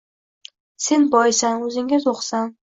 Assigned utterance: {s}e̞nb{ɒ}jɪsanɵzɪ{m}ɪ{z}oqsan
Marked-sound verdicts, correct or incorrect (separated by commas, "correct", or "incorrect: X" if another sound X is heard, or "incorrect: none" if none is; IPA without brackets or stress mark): correct, correct, incorrect: ŋ, correct